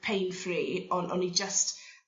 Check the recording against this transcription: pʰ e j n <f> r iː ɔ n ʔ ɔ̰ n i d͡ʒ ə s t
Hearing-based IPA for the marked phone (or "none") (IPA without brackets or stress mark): f